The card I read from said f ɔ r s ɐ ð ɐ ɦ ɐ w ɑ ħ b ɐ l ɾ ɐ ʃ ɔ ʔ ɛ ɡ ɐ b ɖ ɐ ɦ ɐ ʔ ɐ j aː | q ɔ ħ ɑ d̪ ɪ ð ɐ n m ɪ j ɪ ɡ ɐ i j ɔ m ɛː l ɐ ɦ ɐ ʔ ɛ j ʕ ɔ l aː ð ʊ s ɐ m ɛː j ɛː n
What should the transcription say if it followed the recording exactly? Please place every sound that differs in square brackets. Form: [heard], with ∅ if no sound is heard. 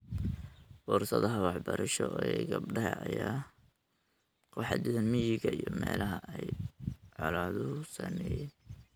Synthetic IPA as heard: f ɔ r s ɐ ð ɐ ɦ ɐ w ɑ ħ b ɐ [∅] ɾ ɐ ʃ ɔ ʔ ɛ ɡ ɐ b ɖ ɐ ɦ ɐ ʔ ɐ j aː | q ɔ ħ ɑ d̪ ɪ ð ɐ n m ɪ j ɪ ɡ ɐ i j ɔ m ɛː l ɐ ɦ ɐ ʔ ɛ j ʕ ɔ l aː ð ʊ s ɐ m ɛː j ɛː n